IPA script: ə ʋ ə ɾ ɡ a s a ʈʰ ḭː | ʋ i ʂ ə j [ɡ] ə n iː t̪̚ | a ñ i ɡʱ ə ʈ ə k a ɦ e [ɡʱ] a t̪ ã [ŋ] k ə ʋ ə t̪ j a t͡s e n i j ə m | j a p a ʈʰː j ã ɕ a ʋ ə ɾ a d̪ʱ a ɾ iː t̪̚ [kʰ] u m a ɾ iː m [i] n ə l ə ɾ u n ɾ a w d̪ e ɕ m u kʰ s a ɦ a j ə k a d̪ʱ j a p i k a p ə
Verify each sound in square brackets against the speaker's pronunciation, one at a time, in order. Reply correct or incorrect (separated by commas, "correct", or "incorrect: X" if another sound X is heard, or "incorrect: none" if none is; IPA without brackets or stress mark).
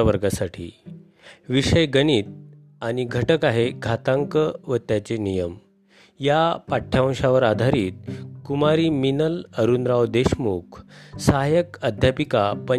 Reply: correct, correct, correct, incorrect: k, correct